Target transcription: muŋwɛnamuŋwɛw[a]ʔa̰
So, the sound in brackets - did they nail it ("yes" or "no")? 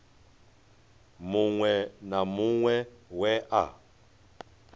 no